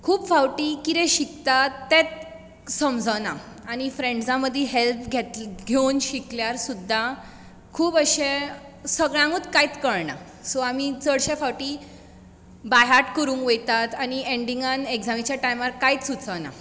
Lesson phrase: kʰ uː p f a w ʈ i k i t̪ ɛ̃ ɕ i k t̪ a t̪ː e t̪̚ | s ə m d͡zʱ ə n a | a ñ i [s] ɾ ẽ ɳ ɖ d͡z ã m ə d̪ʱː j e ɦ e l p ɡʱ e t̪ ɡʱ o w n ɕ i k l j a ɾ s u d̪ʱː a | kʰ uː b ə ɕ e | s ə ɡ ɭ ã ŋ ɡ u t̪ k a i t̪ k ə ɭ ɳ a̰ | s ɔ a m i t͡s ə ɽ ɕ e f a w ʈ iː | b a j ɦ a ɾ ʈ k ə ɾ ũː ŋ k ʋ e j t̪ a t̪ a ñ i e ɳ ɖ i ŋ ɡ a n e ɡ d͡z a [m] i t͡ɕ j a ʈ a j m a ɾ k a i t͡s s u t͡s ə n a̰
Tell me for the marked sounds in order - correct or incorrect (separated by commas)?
incorrect, correct